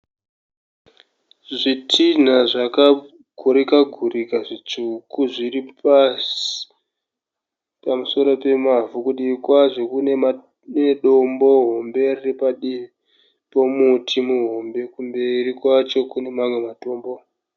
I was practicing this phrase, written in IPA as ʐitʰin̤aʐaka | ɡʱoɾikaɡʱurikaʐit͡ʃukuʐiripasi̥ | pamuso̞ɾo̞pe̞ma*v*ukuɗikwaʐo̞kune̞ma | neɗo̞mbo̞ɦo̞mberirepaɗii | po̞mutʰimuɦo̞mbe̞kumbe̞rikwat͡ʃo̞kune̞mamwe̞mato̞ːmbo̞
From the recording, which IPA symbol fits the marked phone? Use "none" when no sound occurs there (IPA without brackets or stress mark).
v